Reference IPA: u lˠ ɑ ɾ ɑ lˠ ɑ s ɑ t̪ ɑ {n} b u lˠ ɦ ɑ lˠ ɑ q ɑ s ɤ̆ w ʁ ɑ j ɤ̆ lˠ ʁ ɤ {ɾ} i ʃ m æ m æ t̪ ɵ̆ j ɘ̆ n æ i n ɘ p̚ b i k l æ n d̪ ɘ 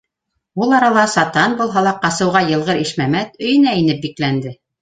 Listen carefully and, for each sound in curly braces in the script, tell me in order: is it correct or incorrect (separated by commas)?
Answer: correct, correct